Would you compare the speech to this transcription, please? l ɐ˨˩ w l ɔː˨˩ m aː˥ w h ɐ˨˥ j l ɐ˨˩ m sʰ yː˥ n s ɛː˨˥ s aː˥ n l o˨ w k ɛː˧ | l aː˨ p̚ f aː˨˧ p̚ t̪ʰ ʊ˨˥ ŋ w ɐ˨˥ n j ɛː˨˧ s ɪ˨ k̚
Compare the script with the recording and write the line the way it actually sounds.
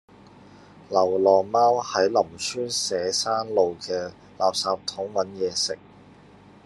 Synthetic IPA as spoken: l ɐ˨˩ w l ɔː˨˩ m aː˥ w h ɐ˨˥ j l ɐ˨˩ m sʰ yː˥ n s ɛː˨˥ s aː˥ n l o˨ w k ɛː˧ | l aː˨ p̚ s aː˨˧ p̚ t̪ʰ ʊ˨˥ ŋ w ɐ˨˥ n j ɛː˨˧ s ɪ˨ k̚